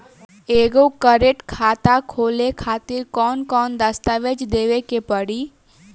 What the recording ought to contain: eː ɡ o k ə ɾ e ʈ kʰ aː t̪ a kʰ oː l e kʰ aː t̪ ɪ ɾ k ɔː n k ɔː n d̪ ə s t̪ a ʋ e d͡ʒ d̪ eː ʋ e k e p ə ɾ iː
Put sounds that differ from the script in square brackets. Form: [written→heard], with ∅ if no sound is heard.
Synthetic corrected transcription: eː ɡ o k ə ɾ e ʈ kʰ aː t̪ a kʰ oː l e kʰ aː t̪ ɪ ɾ k ɔː n k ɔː n d̪ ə s t̪ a ʋ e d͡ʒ d̪ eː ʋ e k e p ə [ɾ→ɽ] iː

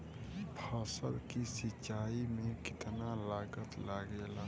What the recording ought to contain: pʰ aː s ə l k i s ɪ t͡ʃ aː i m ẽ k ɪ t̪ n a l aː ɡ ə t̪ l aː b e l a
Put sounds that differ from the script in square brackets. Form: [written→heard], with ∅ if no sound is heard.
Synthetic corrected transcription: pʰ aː s ə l k i s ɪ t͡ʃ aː i m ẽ k ɪ t̪ n a l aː ɡ ə t̪ l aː [b→ɡ] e l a

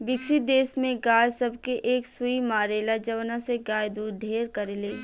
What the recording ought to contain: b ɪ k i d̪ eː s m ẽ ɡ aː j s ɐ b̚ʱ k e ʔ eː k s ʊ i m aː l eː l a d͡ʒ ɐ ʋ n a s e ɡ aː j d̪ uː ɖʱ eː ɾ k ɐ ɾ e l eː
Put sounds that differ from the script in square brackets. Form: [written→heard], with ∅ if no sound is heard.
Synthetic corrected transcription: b ɪ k i d̪ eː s m ẽ ɡ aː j s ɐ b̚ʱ k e ʔ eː k s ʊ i m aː [l→ɾ] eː l a d͡ʒ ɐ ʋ n a s e ɡ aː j d̪ uː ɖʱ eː ɾ k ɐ ɾ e l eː

